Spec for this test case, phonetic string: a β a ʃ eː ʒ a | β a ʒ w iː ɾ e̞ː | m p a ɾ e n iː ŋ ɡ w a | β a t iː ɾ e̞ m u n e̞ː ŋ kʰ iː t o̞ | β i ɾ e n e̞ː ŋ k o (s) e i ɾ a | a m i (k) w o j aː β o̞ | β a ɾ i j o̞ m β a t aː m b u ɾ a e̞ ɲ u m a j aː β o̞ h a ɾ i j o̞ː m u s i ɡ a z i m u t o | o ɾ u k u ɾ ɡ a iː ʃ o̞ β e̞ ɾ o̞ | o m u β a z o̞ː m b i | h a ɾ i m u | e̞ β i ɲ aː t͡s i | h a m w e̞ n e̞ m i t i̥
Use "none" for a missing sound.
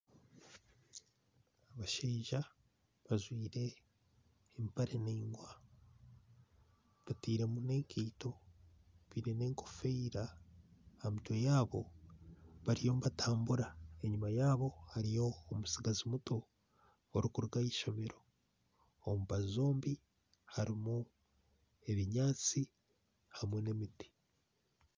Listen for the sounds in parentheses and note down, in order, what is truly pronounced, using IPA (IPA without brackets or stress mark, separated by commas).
f, t